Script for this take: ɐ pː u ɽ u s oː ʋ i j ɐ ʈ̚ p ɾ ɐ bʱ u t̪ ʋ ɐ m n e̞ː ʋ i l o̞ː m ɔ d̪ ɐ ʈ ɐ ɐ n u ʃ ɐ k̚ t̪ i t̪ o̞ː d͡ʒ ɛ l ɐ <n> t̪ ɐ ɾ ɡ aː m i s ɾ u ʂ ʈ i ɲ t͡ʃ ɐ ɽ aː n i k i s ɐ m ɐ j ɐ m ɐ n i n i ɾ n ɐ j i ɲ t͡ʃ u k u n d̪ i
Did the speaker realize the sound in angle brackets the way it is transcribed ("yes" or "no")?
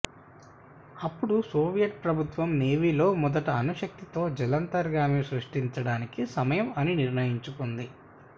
yes